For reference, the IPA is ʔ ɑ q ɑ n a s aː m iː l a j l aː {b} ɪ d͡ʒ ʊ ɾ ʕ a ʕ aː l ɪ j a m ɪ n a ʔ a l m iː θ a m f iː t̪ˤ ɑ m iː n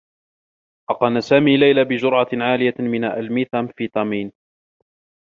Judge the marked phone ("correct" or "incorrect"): correct